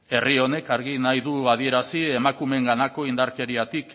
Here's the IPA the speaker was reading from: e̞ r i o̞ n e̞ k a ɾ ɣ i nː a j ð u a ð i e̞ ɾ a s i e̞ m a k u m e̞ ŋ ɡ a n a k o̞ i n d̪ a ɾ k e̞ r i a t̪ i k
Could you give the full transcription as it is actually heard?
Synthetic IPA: e̞ r i o̞ n e̞ k a ɾ ɣ i n a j ð u a ð i e̞ ɾ a s i e̞ m a k u m e̞ ŋ ɡ a n a k o̞ i n d̪ a ɾ k e̞ ɾ i a t̪ i k